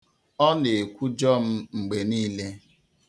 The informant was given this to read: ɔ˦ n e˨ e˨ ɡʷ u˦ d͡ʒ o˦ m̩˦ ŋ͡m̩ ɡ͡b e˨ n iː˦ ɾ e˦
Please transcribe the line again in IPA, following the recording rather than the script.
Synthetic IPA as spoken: ɔ˦ n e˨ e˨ kʷ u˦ d͡ʒ ɔ˦ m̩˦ ŋ͡m̩ ɡ͡b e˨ n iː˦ l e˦